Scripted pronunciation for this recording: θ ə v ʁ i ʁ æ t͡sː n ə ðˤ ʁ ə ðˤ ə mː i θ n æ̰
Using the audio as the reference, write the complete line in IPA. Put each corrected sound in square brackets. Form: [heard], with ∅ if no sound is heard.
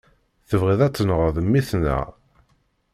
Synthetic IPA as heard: θ ə v ʁ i [ð] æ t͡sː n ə [∅] ʁ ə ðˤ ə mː i θ n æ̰